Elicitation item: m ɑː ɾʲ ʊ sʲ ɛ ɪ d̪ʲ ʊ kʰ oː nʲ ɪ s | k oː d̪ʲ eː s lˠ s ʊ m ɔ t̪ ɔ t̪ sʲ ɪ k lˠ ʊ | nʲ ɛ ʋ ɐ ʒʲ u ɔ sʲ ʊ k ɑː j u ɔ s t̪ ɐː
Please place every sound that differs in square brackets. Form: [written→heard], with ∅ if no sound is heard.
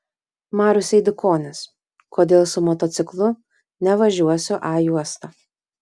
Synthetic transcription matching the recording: m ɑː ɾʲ ʊ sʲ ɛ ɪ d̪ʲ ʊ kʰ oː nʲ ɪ s | k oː d̪ʲ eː [s→∅] lˠ s ʊ m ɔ t̪ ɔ t̪ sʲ ɪ k lˠ ʊ | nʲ ɛ ʋ ɐ ʒʲ u ɔ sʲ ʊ [k→ʔ] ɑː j u ɔ s t̪ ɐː